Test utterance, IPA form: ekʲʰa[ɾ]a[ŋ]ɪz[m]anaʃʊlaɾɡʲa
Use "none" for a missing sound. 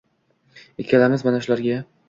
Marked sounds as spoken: l, m, m

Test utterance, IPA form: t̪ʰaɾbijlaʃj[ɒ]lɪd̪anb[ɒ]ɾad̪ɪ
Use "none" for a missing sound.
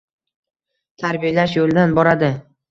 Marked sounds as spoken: o, ɒ

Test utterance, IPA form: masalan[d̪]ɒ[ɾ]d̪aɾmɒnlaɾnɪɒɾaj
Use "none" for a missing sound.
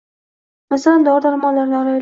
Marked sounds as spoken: d̪, ɾ

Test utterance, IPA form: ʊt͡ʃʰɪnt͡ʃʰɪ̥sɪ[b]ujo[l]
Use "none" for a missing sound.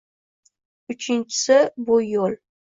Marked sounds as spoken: b, l

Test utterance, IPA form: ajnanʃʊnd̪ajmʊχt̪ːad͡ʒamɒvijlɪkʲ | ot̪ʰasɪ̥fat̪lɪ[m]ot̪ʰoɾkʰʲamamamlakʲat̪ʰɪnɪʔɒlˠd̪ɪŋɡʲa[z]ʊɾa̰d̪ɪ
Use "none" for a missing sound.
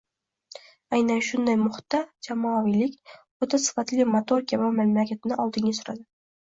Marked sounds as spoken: m, s

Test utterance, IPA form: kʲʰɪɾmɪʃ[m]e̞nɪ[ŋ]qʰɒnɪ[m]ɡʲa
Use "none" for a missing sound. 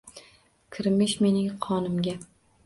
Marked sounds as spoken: m, ŋ, m

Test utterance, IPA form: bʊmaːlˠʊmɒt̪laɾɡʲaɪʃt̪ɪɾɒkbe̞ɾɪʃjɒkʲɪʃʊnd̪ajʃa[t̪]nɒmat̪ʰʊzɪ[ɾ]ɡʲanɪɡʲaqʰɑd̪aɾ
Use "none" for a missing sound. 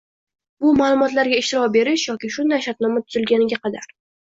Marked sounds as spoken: t̪, l

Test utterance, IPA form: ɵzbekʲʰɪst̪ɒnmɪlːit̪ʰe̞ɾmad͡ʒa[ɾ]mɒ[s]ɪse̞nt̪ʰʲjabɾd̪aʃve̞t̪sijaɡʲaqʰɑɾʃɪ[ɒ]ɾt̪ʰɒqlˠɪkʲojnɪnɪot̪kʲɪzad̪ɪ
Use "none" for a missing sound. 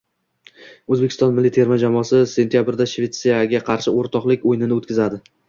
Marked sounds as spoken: none, s, o

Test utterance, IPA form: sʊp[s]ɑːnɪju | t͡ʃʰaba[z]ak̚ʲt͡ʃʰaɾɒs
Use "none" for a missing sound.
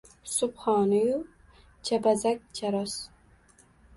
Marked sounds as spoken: χ, z

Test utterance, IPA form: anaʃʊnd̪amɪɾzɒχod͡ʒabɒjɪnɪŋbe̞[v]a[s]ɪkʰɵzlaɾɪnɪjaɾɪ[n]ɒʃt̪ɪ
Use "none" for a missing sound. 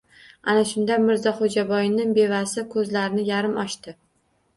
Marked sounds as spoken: v, s, m

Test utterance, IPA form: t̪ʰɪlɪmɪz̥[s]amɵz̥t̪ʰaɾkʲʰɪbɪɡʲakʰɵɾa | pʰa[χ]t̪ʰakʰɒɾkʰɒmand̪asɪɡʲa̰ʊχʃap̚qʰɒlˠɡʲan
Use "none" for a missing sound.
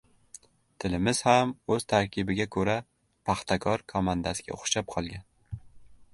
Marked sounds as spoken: h, χ

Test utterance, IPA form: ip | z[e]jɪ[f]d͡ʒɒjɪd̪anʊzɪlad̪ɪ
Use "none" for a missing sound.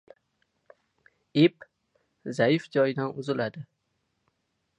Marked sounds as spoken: a, f

